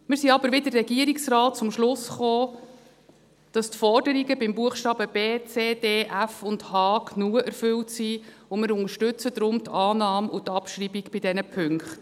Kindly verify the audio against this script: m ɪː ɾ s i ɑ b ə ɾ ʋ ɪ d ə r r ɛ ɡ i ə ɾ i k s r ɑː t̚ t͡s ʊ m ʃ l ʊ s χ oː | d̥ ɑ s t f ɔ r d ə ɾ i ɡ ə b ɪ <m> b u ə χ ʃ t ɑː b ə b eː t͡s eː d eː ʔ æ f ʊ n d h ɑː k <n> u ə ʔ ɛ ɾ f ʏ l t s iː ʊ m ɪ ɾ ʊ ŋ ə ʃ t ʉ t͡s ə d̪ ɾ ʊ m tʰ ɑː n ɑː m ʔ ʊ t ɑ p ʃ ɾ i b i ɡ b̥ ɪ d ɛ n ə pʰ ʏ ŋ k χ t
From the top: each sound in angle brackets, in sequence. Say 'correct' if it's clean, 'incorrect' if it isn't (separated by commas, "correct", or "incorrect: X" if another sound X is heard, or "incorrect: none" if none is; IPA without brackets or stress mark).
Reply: correct, correct